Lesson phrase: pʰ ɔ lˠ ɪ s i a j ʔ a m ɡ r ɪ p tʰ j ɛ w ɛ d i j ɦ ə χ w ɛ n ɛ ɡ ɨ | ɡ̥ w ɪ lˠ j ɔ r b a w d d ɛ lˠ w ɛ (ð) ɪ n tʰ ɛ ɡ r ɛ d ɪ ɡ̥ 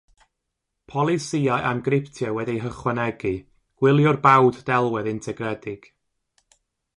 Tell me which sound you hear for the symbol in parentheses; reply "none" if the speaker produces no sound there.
ð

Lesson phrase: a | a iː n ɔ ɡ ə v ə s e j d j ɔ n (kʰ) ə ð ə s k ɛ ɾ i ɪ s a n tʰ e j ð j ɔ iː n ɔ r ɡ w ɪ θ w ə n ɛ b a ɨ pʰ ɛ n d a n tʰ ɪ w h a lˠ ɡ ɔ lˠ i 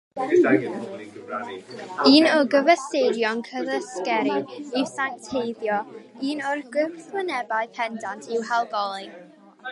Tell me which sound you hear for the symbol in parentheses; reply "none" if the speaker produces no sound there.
kʰ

